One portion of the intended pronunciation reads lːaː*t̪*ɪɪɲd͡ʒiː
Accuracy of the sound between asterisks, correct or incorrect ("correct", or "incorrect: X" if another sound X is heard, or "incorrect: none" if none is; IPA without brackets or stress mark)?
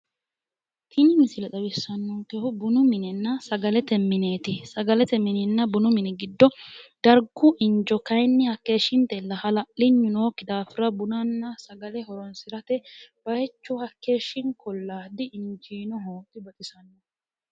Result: incorrect: d̪